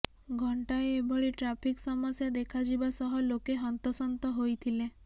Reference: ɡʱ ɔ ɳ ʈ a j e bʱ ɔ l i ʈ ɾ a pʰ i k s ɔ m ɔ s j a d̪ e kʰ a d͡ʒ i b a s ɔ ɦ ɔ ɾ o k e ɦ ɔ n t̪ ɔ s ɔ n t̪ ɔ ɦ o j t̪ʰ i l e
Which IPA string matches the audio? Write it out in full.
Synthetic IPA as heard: ɡʱ ɔ ɳ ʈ a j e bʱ ɔ ɭ i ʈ ɾ a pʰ i k s ɔ m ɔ s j a d̪ e kʰ a d͡ʒ i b a s ɔ ɦ ɔ l o k e ɦ ɔ n t̪ ɔ s ɔ n t̪ ɔ ɦ o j t̪ʰ i l e